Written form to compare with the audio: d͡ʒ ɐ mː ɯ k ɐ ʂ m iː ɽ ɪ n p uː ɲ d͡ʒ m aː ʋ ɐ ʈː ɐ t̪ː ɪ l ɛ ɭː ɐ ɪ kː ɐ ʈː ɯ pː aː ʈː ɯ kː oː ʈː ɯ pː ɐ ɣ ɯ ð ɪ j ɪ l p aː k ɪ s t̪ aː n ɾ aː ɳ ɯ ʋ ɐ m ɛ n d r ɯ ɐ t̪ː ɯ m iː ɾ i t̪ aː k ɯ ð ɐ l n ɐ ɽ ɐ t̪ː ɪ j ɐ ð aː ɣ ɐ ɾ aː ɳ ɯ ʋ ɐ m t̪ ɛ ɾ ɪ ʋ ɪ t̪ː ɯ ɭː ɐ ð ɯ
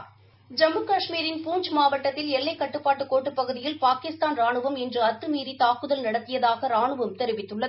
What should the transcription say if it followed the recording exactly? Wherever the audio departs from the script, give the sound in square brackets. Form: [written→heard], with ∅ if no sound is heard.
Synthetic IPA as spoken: d͡ʒ ɐ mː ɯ k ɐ ʂ m iː [ɽ→ɾ] ɪ n p uː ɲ d͡ʒ m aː ʋ ɐ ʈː ɐ t̪ː ɪ l ɛ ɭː ɐ ɪ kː ɐ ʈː ɯ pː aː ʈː ɯ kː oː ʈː ɯ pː ɐ ɣ ɯ ð ɪ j ɪ l p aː k ɪ s t̪ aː n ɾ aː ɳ ɯ ʋ ɐ m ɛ n d r ɯ ɐ t̪ː ɯ m iː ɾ i t̪ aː k ɯ ð ɐ l n ɐ ɽ ɐ t̪ː ɪ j ɐ ð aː ɣ ɐ ɾ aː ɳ ɯ ʋ ɐ m t̪ ɛ ɾ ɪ ʋ ɪ t̪ː ɯ ɭː ɐ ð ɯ